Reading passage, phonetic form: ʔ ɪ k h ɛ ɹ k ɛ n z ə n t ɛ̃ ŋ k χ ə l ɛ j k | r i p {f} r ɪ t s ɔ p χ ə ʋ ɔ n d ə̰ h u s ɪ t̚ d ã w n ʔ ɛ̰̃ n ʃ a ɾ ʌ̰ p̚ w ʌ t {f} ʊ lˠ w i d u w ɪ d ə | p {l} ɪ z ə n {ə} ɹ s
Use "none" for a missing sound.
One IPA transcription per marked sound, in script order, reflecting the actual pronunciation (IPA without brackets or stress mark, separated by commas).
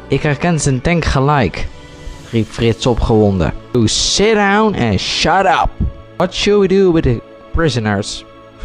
f, ʃ, ɹ, ə